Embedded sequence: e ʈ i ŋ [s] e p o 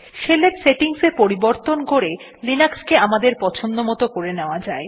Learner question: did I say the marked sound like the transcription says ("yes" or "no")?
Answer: yes